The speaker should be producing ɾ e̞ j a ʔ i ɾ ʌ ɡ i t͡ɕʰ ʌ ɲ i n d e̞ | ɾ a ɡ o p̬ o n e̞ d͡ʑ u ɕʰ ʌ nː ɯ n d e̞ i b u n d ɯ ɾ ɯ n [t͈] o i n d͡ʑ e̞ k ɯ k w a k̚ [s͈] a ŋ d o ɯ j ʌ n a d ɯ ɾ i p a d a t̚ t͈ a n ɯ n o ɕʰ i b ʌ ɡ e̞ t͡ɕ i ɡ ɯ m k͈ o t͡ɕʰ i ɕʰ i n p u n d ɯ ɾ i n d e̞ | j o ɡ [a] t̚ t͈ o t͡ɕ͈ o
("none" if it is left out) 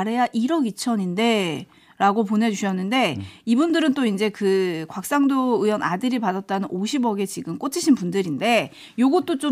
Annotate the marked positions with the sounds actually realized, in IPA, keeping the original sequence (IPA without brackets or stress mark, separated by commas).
t͈, s͈, ʌ